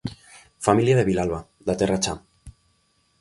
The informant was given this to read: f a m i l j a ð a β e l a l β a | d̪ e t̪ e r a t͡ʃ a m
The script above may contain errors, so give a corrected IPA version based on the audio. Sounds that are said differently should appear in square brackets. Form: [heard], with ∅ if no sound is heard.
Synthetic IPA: f a m i l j a ð [e] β [i] l a l β a | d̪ [a] t̪ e r a t͡ʃ a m